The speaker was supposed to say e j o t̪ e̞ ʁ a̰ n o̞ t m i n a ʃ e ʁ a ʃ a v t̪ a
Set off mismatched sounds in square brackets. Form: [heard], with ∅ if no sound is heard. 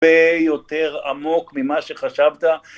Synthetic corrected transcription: e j o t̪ e̞ ʁ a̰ [m] o̞ [k] m i [m] a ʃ e [χ] a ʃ a v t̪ a